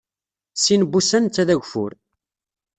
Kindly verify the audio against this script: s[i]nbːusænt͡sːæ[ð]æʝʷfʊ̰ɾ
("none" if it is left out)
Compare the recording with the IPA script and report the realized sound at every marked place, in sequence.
i, ð

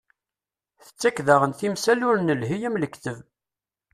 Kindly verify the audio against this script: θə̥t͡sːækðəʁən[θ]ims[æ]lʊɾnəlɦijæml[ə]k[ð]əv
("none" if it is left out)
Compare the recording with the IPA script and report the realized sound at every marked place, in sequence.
θ, æ, ə, θ

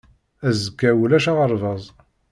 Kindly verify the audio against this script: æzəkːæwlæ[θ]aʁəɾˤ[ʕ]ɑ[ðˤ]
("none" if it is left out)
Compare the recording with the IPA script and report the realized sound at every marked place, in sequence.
ʃ, v, zˤ

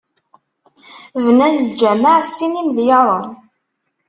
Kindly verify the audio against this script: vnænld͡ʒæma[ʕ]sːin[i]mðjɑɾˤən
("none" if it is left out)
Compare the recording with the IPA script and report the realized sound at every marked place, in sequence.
ʕ, i

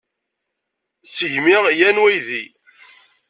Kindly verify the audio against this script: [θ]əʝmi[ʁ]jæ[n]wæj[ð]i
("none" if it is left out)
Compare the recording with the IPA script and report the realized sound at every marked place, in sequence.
s, ʁ, n, ð

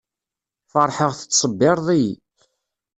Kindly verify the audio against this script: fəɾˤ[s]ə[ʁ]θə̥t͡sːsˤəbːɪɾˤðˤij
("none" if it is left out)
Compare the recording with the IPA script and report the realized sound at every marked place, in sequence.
ħ, ʁ

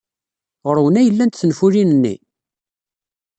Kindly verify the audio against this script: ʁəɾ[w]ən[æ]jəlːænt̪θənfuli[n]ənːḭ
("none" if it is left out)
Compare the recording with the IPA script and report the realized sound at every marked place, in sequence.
w, æ, n

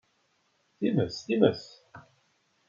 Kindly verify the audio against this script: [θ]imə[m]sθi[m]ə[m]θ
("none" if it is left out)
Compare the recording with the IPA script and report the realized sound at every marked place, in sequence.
θ, none, m, none

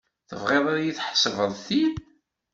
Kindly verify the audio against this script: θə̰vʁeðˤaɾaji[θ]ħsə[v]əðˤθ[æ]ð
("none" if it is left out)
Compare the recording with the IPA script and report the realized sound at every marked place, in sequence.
θ, v, i

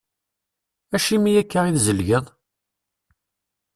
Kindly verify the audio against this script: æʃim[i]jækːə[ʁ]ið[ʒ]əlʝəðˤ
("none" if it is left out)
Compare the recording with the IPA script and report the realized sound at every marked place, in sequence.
i, ʁ, z

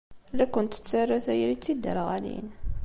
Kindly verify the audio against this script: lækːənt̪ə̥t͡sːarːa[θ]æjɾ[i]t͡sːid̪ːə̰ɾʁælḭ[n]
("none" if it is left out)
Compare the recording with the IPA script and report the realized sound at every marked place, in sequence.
θ, i, n

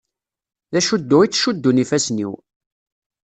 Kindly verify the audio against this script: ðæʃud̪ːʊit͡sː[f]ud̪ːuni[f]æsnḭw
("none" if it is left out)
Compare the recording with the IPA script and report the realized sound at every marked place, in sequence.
ʃ, f

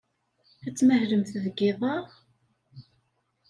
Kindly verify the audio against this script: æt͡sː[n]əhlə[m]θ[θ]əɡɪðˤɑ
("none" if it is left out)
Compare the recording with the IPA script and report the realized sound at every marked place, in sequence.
m, m, ð

